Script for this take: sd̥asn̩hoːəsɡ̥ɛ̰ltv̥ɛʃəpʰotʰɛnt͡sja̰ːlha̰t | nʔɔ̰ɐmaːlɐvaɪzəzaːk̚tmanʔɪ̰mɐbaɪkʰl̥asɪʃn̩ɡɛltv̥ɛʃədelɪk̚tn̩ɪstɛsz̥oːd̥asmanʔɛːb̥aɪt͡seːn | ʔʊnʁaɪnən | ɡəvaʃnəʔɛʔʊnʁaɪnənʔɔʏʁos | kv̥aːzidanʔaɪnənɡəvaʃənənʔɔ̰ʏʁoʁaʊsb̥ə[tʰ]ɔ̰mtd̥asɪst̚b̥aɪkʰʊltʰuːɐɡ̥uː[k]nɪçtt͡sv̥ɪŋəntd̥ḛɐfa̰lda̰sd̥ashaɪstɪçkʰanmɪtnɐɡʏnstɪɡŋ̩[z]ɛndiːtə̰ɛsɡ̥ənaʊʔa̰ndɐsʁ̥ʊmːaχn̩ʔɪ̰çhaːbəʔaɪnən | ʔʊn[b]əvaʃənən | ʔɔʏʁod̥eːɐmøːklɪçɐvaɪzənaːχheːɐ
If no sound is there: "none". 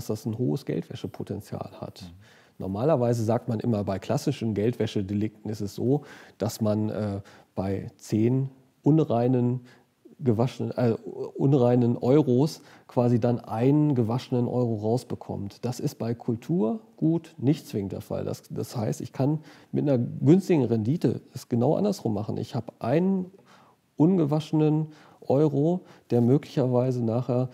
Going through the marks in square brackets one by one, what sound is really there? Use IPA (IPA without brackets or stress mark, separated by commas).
kʰ, t, ʁ, ɡ